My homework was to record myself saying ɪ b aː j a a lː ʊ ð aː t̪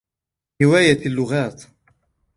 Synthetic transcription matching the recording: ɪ w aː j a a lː ʊ ɣ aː t̪